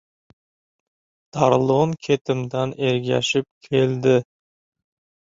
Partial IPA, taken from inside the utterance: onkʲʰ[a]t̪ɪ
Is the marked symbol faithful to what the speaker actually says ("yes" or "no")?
no